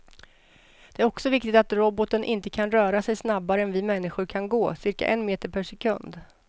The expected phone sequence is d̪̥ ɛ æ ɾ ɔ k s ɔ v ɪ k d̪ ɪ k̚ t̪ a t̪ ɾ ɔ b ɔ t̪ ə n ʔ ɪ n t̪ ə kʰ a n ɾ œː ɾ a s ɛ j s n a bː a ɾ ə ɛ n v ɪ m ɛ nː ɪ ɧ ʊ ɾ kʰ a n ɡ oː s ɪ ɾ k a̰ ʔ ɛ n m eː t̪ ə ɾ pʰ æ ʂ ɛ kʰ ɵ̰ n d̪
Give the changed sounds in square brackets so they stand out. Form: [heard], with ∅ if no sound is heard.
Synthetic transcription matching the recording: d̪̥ ɛ æ ɾ ɔ k s ɔ v ɪ k [t̪] ɪ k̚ t̪ a t̪ ɾ ɔ b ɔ t̪ ə n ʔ ɪ n t̪ ə kʰ a n ɾ œː ɾ a s ɛ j s n a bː a ɾ ə ɛ n v ɪ m ɛ nː ɪ ɧ ʊ ɾ kʰ a n ɡ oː s ɪ ɾ k a̰ ʔ ɛ n m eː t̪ ə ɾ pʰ æ ʂ ɛ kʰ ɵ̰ n d̪